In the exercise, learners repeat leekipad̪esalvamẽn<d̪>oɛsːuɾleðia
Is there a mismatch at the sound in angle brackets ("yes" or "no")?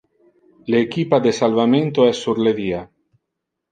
yes